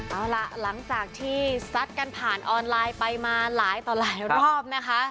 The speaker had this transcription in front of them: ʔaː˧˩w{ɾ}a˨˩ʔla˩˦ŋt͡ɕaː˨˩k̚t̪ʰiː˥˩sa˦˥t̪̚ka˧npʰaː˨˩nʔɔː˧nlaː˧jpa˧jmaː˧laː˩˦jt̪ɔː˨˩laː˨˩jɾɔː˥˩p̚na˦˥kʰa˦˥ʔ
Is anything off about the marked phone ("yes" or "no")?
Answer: yes